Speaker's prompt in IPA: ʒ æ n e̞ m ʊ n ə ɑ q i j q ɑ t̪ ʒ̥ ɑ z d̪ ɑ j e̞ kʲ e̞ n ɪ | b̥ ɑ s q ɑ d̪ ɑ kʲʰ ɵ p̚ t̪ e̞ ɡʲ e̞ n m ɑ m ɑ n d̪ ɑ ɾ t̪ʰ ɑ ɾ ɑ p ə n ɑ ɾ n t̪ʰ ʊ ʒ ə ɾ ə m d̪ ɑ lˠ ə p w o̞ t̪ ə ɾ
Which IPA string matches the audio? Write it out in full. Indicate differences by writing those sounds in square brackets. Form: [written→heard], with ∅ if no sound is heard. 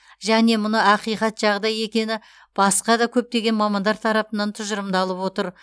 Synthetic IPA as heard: ʒ æ n e̞ m ʊ n ə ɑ q i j q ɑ t̪ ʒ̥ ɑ [z→ʁ] d̪ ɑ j e̞ kʲ e̞ n ɪ | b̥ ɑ s q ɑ d̪ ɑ kʲʰ ɵ p̚ t̪ e̞ ɡʲ e̞ n m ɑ m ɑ n d̪ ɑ ɾ t̪ʰ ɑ ɾ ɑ p ə n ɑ [ɾ→∅] n t̪ʰ ʊ ʒ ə ɾ ə m d̪ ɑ lˠ ə p w o̞ t̪ ə ɾ